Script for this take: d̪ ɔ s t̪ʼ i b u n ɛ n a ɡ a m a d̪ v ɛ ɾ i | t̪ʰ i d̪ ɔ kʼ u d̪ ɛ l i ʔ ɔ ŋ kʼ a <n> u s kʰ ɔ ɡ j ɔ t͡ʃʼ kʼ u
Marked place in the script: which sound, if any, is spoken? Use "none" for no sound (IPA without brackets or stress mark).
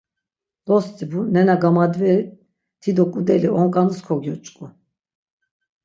n